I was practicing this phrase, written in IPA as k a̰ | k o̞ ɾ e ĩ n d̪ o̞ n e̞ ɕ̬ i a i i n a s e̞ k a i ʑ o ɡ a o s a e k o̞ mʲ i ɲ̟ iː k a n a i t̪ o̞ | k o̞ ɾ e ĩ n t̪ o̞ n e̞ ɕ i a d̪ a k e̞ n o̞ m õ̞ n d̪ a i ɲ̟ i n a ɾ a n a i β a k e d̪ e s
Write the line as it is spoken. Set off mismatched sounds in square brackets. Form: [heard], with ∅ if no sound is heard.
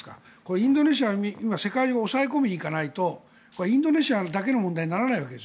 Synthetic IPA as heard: k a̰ | k o̞ ɾ e ĩ n d̪ o̞ n e̞ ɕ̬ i a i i [m] a s e̞ k a i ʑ o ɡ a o s a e k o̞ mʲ i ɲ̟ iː k a n a i t̪ o̞ | k o̞ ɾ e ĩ n [d̪] o̞ n e̞ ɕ i a d̪ a k e̞ n o̞ m õ̞ n d̪ a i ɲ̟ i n a ɾ a n a i β a k e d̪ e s